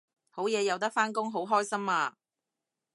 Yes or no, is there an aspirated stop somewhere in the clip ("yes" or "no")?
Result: no